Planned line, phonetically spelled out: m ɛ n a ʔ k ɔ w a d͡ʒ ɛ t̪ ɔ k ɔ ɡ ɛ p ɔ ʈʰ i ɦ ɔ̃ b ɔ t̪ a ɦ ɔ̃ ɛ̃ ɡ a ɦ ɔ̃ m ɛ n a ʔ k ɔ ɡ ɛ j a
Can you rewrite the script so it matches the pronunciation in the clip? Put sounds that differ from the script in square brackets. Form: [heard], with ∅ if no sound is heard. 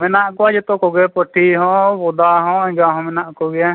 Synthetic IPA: m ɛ n a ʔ k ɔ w a d͡ʒ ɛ t̪ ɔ k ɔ ɡ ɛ p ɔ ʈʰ i ɦ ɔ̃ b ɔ [d̪] a ɦ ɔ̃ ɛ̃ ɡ a ɦ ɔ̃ m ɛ n a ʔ k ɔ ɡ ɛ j a